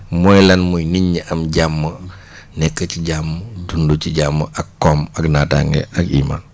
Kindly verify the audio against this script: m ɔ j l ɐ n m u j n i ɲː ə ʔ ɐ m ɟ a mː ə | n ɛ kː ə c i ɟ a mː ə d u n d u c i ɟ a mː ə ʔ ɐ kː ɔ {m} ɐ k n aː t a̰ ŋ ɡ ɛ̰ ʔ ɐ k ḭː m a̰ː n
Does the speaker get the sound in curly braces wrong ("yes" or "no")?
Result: no